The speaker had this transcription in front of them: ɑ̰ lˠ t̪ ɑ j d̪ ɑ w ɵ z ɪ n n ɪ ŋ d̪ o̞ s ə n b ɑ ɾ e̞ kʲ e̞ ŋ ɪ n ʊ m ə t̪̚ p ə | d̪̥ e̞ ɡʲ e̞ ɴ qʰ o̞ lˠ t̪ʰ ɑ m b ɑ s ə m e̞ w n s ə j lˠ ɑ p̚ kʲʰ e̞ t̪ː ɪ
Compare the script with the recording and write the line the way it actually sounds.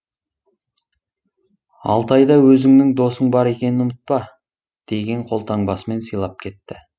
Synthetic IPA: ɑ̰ lˠ t̪ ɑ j d̪ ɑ w ɵ z ɪ ŋ n ɪ ŋ d̪ o̞ s ə ɴ b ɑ ɾ e̞ kʲ e̞ n ɪ n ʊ m ə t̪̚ p ɑ | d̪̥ e̞ ɡʲ e̞ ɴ qʰ o̞ lˠ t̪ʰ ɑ ɴ b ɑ s ə m e̞ n s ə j lˠ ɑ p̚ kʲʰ e̞ t̪ː ɪ